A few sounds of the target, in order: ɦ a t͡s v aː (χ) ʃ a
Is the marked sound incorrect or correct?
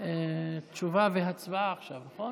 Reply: correct